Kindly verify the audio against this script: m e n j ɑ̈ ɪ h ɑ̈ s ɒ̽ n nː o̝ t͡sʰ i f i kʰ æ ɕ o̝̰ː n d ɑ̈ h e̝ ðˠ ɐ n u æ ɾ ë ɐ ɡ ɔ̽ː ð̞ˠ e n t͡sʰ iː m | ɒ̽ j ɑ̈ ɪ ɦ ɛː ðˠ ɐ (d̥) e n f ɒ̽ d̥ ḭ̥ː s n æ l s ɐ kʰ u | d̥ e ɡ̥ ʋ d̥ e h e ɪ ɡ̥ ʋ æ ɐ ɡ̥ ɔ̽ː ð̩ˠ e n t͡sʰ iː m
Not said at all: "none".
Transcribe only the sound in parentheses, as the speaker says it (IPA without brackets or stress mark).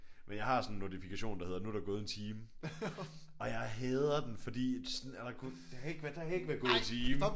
d̥